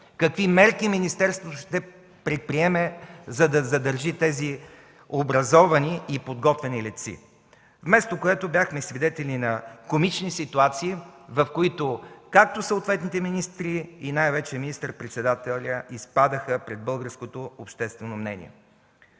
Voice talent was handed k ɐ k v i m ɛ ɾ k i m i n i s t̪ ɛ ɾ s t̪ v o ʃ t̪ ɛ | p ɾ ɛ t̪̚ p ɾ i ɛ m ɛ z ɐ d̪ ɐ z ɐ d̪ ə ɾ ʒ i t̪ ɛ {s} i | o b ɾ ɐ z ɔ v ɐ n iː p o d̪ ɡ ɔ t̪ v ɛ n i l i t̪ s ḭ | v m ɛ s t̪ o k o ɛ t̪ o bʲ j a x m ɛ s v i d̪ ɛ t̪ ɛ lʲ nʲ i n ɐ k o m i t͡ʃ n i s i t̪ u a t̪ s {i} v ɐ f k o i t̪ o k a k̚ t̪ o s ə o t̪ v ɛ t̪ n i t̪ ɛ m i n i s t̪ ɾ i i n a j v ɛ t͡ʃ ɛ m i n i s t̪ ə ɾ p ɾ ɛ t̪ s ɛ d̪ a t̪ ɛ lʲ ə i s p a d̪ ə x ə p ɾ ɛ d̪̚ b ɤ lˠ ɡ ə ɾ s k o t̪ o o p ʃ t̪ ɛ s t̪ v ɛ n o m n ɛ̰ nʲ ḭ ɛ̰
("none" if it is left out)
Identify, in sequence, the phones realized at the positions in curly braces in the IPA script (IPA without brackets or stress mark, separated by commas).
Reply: z, iː